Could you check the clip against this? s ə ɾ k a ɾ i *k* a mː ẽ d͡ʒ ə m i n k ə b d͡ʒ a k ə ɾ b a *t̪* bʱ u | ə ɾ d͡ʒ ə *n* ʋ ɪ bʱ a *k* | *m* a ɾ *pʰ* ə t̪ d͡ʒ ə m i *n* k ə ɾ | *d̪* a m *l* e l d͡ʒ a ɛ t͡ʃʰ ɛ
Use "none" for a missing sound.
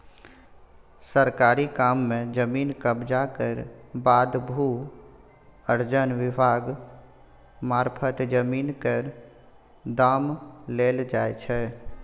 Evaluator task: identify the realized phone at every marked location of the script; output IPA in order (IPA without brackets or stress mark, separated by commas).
k, d̪, n, ɡ, m, pʰ, n, d̪, l